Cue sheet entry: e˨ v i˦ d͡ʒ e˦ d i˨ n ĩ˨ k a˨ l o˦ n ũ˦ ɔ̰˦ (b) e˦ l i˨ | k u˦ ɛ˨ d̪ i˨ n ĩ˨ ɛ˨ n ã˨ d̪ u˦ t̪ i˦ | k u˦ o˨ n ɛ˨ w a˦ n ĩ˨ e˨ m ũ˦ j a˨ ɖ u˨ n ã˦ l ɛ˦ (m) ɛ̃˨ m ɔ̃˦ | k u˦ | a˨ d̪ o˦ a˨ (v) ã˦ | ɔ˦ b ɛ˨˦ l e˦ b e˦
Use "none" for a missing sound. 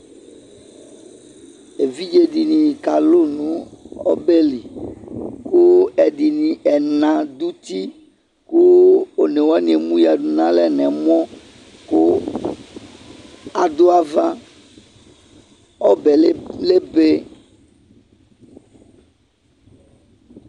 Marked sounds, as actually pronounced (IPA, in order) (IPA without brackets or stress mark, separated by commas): b, n, v